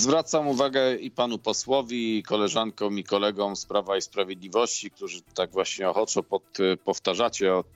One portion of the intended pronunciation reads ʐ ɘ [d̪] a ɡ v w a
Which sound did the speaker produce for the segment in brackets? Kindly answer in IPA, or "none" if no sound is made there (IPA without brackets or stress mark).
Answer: t̪